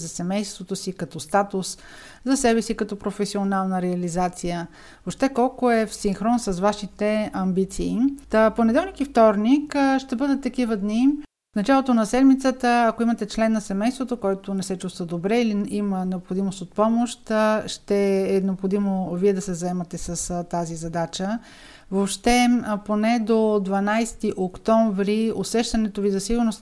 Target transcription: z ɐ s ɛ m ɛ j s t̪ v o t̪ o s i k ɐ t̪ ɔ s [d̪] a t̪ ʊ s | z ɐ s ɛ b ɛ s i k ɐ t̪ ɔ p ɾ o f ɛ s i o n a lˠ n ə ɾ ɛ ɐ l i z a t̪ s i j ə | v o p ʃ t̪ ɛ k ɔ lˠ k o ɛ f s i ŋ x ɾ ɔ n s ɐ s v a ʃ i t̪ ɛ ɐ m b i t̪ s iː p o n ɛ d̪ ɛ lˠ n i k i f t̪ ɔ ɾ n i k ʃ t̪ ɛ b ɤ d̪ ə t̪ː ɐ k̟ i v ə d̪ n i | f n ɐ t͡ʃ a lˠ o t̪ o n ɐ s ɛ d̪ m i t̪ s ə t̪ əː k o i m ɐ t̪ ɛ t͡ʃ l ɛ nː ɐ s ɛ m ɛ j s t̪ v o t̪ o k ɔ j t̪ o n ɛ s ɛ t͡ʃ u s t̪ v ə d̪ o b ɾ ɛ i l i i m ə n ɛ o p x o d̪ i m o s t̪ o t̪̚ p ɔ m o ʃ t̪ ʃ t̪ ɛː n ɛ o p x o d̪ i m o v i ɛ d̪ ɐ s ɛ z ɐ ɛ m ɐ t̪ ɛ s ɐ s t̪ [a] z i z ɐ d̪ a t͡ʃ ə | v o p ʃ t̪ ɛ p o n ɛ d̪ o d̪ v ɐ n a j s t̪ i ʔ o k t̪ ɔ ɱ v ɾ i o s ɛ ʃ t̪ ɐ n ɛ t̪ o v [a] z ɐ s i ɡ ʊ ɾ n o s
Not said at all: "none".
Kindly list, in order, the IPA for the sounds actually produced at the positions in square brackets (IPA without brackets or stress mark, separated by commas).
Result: t̪, a, i